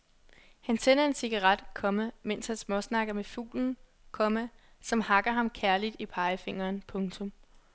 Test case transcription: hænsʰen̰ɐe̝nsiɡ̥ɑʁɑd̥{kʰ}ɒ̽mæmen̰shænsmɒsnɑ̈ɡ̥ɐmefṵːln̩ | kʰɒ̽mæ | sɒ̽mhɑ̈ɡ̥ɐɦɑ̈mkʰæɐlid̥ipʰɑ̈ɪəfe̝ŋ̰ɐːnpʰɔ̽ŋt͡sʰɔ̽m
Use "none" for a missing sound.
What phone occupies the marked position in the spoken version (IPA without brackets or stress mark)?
kʰ